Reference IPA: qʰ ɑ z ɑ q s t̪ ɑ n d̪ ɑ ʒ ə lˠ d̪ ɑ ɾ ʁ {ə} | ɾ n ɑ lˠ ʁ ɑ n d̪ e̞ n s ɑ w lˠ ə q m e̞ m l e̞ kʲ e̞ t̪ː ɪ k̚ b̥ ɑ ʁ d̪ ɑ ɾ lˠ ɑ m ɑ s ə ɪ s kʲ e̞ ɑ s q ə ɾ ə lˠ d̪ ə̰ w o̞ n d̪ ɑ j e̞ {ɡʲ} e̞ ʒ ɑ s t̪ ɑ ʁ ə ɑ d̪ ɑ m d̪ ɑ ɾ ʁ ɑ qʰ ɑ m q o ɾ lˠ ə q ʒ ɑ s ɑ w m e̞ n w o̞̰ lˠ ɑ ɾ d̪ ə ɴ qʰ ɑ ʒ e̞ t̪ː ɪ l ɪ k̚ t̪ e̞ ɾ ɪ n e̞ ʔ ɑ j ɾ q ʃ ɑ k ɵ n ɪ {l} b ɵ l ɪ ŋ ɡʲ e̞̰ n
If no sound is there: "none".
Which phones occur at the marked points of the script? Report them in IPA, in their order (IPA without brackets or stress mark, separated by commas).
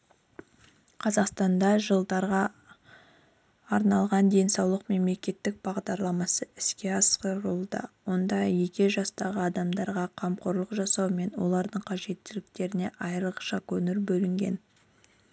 ɑ, kʲ, ɾ